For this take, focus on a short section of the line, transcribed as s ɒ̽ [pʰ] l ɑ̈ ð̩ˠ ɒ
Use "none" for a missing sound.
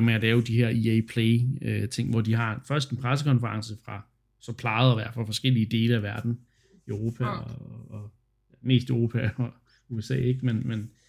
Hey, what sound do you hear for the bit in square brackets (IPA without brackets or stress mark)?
pʰ